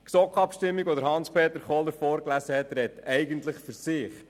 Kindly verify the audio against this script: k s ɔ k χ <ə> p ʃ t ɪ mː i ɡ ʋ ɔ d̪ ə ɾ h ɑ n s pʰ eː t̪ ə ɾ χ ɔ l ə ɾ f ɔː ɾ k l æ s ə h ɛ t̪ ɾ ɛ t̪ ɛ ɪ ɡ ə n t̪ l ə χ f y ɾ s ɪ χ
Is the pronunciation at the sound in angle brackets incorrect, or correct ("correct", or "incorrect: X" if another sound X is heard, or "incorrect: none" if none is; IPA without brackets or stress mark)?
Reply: incorrect: ɑ